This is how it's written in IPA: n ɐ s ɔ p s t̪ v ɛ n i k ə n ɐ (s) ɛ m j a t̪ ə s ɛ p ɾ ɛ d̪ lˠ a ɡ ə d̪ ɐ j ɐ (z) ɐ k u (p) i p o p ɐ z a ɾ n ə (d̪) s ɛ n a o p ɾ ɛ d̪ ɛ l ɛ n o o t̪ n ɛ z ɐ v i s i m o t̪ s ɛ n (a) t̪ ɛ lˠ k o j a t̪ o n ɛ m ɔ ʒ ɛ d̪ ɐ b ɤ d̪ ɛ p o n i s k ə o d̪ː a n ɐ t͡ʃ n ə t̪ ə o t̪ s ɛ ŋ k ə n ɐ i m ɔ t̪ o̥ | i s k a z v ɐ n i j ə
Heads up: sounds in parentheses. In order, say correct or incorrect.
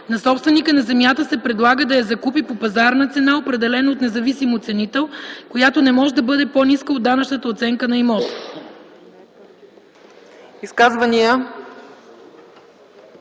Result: incorrect: z, correct, correct, incorrect: t̪, incorrect: i

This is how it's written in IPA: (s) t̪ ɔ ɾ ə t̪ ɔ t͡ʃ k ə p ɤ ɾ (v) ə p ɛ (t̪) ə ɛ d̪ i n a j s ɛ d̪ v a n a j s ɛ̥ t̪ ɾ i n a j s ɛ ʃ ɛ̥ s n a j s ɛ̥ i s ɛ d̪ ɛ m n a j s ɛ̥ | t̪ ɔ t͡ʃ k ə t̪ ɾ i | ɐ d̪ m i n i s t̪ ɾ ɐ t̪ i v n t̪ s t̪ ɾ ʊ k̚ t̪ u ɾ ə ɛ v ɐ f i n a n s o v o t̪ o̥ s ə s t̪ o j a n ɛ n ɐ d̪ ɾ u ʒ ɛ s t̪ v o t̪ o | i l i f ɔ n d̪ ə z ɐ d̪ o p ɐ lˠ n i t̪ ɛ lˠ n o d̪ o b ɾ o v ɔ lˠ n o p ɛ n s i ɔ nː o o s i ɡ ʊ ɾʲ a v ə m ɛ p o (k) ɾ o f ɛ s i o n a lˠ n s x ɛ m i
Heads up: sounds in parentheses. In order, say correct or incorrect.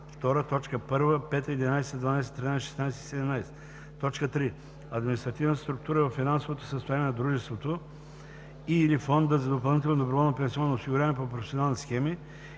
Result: incorrect: f, correct, correct, incorrect: p

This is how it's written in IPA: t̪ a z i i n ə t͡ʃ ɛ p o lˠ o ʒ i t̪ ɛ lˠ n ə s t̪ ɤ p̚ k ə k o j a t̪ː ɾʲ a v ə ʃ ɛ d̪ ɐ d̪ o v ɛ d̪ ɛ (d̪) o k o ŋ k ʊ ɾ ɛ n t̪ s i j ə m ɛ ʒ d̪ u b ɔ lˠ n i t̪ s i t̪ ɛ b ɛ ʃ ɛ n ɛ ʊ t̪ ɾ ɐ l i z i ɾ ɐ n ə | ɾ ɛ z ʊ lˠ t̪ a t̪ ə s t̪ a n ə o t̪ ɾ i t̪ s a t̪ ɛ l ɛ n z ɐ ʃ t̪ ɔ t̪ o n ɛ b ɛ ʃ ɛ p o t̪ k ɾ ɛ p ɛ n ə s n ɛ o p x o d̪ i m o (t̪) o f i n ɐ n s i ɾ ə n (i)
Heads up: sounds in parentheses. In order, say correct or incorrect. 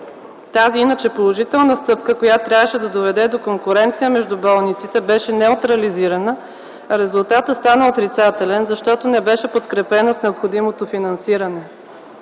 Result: correct, correct, incorrect: ɛ

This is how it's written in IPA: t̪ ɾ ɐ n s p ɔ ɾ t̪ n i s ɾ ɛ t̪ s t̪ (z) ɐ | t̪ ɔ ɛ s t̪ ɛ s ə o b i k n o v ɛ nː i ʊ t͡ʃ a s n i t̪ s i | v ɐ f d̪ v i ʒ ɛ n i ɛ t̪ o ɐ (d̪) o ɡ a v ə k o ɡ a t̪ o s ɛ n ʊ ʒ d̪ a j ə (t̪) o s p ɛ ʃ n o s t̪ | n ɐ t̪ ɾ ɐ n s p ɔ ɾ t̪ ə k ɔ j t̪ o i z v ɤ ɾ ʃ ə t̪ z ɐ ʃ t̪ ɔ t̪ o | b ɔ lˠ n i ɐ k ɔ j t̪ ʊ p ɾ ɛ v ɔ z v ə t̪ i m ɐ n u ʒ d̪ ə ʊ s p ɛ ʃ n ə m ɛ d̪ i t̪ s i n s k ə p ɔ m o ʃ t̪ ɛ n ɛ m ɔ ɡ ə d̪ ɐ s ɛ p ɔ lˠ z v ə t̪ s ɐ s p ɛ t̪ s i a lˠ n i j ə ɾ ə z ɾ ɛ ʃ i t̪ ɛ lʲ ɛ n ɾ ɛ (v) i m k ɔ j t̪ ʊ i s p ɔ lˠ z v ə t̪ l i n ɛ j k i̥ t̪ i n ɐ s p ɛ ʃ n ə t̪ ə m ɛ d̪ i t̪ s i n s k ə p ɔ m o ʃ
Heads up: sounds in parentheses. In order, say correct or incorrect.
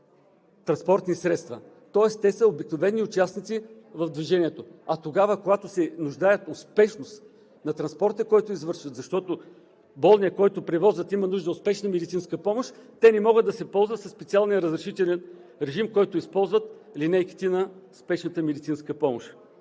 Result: incorrect: v, incorrect: t̪, correct, incorrect: ʒ

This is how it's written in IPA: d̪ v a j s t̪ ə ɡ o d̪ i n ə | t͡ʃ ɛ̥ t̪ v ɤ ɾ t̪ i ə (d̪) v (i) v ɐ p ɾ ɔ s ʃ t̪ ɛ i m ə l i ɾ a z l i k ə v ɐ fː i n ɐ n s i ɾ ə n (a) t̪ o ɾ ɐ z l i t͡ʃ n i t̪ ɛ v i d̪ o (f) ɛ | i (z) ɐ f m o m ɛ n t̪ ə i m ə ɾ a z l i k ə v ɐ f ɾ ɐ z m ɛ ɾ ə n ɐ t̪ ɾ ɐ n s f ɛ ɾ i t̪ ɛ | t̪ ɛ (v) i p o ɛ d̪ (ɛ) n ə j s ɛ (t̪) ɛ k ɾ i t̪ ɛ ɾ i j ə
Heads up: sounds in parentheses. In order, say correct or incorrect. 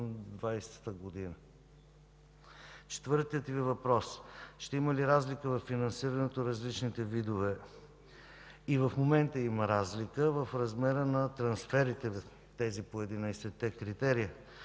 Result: incorrect: t̪, correct, incorrect: ɛ, incorrect: v, incorrect: v, incorrect: z, incorrect: i, correct

